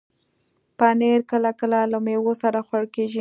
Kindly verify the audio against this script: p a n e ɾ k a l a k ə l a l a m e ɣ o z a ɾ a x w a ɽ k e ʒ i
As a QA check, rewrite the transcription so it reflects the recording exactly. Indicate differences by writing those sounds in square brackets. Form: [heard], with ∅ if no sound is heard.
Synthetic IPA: p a n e ɾ k [ə] l a k ə l a l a m e [w] o [s] a ɾ a x w a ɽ k e ʒ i